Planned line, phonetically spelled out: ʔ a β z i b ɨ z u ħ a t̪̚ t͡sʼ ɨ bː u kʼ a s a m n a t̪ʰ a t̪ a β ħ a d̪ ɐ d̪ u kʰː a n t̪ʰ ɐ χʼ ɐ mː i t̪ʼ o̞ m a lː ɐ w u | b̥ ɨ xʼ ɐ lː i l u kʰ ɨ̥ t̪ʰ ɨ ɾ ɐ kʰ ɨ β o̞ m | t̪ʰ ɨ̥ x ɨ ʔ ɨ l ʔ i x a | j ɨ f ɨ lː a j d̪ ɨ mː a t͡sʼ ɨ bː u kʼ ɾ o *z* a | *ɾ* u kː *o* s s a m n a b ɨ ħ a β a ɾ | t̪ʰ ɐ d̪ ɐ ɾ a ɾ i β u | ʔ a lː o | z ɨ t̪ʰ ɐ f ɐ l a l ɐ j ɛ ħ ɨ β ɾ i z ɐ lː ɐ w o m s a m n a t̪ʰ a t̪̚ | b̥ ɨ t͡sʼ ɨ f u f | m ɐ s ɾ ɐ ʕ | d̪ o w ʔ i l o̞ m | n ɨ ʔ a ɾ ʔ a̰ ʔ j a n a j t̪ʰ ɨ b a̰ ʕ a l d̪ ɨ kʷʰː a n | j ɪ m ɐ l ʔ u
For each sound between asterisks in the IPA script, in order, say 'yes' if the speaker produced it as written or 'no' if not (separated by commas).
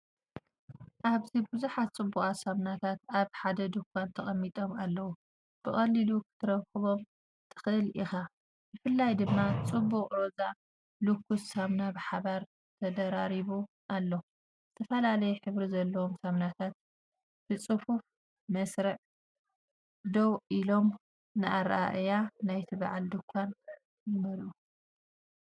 yes, no, no